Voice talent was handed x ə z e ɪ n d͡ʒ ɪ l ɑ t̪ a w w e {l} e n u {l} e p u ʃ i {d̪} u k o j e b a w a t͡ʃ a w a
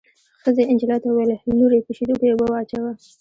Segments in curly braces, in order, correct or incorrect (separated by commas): correct, incorrect, correct